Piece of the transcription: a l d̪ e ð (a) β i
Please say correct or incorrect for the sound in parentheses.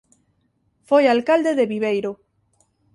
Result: incorrect